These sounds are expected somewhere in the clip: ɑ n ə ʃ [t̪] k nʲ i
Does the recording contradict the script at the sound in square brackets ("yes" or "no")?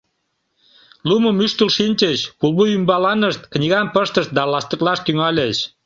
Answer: no